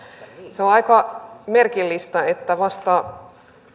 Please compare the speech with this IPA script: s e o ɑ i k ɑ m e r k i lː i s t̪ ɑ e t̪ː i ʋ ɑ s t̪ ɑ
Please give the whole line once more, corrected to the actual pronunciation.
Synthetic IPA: s e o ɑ i k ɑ m e r k i lː i s t̪ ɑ e t̪ː æ ʋ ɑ s t̪ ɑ

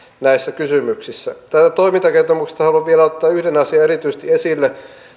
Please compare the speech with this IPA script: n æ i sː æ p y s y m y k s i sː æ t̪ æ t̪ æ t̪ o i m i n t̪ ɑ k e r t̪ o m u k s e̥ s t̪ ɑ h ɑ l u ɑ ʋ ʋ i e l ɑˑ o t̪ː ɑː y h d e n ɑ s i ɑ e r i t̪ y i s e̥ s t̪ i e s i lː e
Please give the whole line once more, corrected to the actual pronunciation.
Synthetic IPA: n æ i sː æ k y s y m y k s i sː æ t̪ æ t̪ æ t̪ o i m i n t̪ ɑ k e r t̪ o m u k s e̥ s t̪ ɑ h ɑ l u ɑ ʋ ʋ i e l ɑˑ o t̪ː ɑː y h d e n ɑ s i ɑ e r i t̪ y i s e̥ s t̪ i e s i lː e

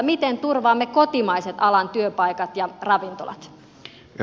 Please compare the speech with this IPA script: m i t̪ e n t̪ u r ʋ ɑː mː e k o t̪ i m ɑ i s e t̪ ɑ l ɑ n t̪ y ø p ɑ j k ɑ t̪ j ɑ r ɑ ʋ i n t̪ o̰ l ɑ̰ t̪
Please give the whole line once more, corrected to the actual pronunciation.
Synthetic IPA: m i t̪ e n t̪ u r ʋ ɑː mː e k o t̪ i m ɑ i s e t̪ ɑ l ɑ n t̪ y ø p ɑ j k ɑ t̪ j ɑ r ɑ ʋ i n t̪ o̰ l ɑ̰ t̪

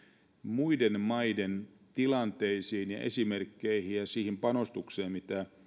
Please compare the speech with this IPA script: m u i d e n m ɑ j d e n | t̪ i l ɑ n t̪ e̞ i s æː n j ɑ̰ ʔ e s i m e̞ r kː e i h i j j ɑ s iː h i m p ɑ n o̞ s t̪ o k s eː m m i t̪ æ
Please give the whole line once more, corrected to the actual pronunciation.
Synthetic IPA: m u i d e n m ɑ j d e n | t̪ i l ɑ n t̪ e̞ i s iː n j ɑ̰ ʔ e s i m e̞ r kː e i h i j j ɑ s iː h i m p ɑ n o̞ s t̪ u k s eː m m i t̪ æ

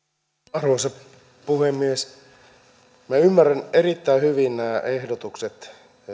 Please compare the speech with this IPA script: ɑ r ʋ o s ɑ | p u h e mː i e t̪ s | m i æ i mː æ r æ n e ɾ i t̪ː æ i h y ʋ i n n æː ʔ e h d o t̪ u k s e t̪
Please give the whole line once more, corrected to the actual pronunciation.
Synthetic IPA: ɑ r ʋ o s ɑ | p u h e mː i e s | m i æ y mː æ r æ n e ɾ i t̪ː æ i h y ʋ i n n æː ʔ e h d o t̪ u k s e t̪

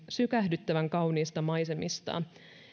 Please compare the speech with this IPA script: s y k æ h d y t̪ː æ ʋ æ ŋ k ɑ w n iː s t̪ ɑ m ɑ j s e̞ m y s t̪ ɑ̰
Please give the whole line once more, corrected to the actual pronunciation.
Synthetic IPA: s y k æ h d y t̪ː æ ʋ æ ŋ k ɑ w n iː s t̪ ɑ m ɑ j s e̞ m i s t̪ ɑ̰

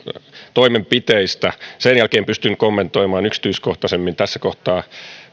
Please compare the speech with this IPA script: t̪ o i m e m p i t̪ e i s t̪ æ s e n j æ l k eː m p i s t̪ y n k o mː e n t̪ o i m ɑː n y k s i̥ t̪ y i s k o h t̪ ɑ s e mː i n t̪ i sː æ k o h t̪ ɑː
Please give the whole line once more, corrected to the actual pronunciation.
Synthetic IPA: t̪ o i m e m p i t̪ e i s t̪ æ s e n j æ l k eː m p y s t̪ y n k o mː e n t̪ o i m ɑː n y k s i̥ t̪ y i s k o h t̪ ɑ s e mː i n t̪ æ sː æ k o h t̪ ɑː

